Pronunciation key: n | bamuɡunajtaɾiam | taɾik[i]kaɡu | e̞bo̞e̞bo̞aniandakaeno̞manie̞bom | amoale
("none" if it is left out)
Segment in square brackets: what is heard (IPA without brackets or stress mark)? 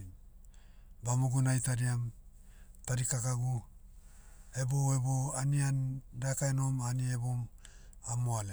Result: a